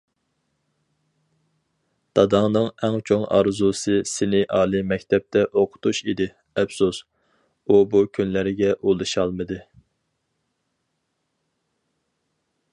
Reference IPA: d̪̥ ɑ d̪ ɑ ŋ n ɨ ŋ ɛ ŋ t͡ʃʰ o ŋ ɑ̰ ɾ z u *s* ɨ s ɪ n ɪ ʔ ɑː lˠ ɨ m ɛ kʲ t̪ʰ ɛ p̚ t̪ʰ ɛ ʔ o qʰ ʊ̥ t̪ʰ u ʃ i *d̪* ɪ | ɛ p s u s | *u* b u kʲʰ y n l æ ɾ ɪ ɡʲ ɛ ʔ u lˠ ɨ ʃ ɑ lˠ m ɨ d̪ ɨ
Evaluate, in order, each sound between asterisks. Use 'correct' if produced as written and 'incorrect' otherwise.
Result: correct, correct, correct

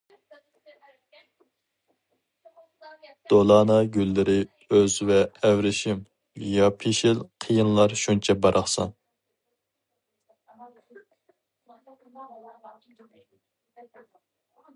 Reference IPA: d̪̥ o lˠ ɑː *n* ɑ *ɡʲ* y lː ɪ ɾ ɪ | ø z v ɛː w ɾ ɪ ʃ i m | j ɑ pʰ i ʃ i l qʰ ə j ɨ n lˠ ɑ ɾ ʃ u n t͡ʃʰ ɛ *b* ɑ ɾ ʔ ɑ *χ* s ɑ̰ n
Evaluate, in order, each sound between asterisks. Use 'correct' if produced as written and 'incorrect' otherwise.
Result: correct, correct, correct, correct

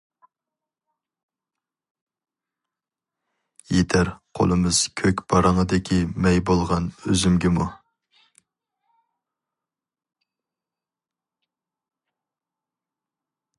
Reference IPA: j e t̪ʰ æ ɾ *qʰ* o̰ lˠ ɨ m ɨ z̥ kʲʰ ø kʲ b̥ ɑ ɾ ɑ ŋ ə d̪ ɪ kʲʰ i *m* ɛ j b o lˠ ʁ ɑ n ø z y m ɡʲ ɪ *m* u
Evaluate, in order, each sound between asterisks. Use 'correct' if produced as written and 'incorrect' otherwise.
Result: correct, correct, correct

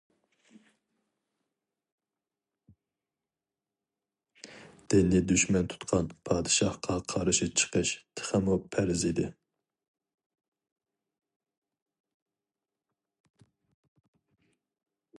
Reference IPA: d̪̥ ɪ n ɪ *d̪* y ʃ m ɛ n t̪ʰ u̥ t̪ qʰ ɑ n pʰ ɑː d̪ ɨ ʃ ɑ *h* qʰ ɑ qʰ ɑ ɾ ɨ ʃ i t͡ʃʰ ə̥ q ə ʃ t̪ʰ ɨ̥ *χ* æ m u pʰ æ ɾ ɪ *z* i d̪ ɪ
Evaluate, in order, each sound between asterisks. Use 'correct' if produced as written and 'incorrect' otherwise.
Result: correct, correct, correct, correct

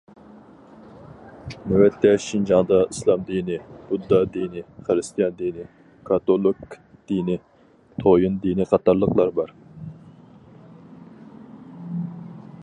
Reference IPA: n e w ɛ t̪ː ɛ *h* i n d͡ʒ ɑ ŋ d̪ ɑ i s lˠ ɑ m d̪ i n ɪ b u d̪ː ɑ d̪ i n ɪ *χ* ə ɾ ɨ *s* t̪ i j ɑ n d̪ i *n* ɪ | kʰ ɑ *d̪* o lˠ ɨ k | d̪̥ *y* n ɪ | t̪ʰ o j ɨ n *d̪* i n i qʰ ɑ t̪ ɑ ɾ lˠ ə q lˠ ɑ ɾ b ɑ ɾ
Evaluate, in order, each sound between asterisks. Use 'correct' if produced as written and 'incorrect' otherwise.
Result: incorrect, correct, correct, correct, incorrect, incorrect, correct

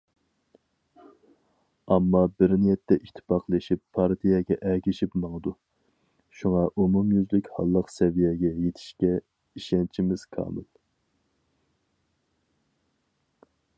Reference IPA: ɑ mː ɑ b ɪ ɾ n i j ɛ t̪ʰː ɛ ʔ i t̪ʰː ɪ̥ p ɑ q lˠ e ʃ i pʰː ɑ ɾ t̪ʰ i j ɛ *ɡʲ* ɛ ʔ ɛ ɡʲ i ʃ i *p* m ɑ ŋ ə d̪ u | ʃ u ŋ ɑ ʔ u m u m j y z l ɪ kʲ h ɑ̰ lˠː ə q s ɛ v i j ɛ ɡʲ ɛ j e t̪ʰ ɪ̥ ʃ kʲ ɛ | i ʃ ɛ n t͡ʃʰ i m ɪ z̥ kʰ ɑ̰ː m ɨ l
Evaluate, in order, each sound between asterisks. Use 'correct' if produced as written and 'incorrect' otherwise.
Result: correct, correct

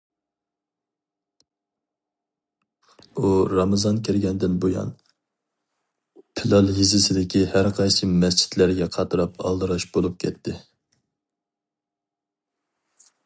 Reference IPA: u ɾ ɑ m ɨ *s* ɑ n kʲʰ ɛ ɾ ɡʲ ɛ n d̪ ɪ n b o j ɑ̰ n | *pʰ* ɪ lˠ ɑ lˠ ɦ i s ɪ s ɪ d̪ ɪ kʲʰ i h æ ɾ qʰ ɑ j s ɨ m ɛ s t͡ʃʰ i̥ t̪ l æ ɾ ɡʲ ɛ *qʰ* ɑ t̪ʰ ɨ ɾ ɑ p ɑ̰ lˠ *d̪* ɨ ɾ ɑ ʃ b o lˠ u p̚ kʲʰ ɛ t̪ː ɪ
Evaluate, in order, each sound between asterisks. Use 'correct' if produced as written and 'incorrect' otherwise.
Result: incorrect, correct, correct, correct

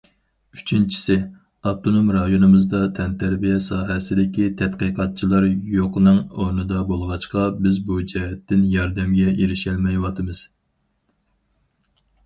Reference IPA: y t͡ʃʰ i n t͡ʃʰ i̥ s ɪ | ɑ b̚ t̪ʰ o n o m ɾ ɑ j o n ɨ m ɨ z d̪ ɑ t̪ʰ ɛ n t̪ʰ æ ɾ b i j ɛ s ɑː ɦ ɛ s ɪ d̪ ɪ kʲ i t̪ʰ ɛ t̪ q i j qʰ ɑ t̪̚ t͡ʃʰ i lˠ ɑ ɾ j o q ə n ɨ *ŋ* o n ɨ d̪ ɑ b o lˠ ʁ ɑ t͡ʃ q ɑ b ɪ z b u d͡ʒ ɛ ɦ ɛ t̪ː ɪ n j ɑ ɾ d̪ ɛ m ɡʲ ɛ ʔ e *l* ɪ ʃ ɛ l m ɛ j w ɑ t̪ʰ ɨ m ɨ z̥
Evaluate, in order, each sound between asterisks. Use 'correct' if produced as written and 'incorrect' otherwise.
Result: correct, incorrect

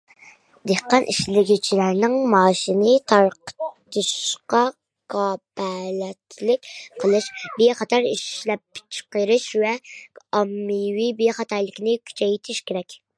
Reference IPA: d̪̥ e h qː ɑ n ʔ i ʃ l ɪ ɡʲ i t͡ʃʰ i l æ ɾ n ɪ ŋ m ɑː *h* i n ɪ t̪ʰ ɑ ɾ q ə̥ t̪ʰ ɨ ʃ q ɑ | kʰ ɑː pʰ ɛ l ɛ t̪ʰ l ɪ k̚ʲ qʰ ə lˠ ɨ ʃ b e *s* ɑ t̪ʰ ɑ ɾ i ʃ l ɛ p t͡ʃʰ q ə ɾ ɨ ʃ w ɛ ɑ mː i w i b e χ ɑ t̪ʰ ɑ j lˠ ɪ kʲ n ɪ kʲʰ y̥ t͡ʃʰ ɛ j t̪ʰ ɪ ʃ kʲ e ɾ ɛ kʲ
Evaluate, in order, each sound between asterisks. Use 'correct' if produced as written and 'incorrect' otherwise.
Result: incorrect, incorrect

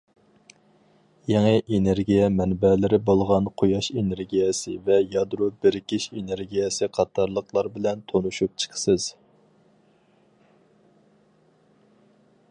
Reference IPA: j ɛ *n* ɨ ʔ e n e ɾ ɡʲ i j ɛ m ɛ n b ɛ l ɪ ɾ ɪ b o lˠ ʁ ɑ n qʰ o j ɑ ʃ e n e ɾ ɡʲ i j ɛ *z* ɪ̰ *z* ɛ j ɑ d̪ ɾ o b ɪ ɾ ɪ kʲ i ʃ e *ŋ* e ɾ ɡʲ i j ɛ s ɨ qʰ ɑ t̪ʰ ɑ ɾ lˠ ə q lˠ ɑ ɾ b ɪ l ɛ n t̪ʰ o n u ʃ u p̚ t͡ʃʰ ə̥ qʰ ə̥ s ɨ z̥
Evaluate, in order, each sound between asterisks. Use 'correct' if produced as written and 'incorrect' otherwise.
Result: incorrect, incorrect, incorrect, incorrect

